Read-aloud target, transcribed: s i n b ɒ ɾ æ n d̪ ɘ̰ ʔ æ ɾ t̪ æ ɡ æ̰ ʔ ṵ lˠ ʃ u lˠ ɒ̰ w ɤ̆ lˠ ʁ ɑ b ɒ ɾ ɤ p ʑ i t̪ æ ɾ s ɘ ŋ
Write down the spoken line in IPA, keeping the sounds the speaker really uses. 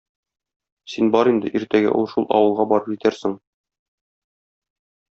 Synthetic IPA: s i n b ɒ ɾ i n d̪ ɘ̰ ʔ i ɾ t̪ æ ɡ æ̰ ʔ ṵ lˠ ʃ u lˠ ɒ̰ w ɤ̆ lˠ ʁ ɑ b ɒ ɾ ɤ p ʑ i t̪ æ ɾ s ɘ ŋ